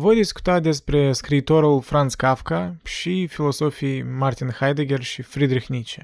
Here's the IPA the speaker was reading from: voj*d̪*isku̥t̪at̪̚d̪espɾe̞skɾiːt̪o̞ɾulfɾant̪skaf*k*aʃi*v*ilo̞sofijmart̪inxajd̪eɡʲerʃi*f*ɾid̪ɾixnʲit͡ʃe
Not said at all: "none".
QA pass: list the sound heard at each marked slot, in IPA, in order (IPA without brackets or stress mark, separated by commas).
d̪, k, f, f